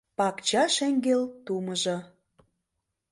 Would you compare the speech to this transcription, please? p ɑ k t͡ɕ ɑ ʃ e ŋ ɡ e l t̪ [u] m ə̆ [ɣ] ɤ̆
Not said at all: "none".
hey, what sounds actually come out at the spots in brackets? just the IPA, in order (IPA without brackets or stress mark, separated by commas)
u, ʒ